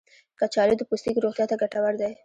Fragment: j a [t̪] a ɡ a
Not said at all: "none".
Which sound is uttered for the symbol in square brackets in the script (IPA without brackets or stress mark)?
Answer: t̪